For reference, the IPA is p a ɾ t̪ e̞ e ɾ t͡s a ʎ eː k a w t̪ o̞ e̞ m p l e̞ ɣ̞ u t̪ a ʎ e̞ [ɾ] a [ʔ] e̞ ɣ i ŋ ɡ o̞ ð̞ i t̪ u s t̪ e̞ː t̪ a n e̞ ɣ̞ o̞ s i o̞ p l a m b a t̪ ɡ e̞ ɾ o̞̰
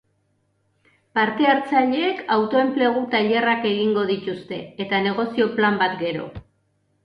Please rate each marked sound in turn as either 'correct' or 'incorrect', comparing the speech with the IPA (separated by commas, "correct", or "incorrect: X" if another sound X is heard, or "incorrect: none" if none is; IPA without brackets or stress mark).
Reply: incorrect: r, incorrect: k